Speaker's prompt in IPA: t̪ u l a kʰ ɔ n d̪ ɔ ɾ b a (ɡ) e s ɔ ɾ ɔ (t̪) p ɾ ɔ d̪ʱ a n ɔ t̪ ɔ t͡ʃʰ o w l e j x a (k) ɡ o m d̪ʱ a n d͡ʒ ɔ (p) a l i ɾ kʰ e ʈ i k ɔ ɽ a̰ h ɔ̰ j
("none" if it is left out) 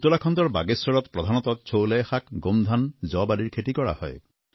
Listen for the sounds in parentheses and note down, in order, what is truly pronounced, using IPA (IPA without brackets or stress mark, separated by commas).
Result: ɡ, t̪, k, b